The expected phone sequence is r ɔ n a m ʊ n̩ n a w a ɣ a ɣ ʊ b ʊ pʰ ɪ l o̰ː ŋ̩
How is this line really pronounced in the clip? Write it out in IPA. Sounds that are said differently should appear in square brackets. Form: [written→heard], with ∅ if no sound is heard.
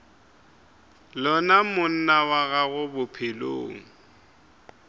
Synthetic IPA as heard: [r→l] ɔ n a m ʊ n̩ n a w a ɣ a ɣ ʊ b ʊ pʰ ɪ l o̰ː ŋ̩